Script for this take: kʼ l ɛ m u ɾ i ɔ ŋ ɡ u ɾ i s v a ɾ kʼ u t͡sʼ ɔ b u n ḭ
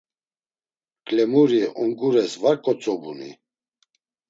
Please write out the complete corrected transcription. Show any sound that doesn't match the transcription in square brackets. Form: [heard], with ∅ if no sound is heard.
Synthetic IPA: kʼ l ɛ m u ɾ i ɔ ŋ ɡ u ɾ [ɛ] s v a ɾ kʼ [ɔ] t͡sʼ ɔ b u n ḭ